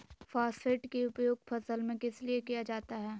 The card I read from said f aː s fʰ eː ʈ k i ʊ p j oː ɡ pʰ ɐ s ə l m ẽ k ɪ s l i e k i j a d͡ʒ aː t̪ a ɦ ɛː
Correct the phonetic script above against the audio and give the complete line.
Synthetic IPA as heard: f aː s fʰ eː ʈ k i ʊ p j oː ɡ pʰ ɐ s ə l m ẽ k ɪ s l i e k i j a d͡ʒ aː t̪ a ɦ ɛː